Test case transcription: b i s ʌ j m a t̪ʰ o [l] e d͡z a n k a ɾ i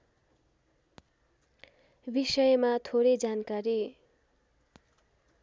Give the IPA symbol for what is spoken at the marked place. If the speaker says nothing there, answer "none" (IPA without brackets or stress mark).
ɾ